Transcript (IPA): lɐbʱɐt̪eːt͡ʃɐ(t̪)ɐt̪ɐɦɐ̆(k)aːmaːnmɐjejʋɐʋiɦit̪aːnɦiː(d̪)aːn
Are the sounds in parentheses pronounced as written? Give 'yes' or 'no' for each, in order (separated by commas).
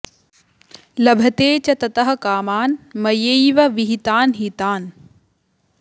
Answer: yes, yes, no